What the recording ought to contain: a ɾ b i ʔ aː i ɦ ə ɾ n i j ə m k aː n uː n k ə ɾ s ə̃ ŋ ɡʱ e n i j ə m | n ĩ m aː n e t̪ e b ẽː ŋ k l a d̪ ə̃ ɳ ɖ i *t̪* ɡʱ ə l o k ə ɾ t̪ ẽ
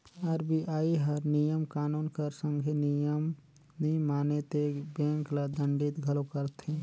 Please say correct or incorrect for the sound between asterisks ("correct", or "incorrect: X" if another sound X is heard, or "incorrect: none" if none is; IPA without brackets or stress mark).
correct